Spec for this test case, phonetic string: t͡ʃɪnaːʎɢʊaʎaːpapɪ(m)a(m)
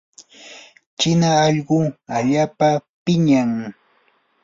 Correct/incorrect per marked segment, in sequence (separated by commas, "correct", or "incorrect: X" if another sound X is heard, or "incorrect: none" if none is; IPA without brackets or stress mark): incorrect: ɲ, incorrect: ŋ